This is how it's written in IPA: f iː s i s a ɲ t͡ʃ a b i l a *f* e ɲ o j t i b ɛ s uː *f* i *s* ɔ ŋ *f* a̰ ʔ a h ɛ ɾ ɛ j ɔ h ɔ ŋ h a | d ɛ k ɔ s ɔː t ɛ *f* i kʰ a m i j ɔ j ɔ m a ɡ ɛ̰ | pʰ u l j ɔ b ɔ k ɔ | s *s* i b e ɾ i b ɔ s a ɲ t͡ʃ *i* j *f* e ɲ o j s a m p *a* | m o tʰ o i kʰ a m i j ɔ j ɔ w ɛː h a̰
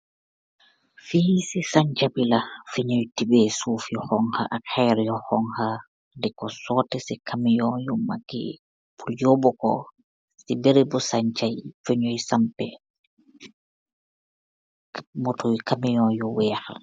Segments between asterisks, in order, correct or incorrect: correct, correct, incorrect: h, incorrect: h, incorrect: s, correct, incorrect: a, correct, incorrect: ɛ

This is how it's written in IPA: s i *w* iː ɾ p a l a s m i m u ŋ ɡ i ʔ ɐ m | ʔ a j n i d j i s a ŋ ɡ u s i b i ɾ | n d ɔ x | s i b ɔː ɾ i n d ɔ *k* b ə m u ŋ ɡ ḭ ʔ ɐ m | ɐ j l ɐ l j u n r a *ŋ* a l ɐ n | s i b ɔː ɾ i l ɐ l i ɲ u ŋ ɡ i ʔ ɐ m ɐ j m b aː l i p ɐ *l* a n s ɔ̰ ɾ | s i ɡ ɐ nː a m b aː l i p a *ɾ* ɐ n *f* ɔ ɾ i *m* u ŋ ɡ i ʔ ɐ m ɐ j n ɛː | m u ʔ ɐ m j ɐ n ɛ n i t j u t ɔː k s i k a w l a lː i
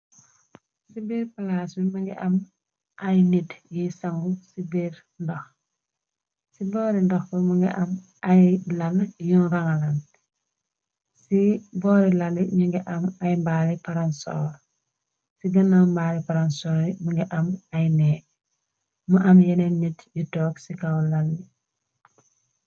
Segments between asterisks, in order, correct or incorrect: incorrect: b, incorrect: x, correct, incorrect: ɾ, correct, incorrect: s, correct

